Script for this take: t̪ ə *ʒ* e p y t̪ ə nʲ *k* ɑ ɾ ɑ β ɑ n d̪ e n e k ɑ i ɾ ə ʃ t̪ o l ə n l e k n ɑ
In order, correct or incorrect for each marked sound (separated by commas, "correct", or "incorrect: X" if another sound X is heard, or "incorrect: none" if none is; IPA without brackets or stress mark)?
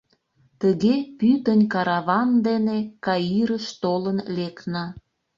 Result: incorrect: ɣ, correct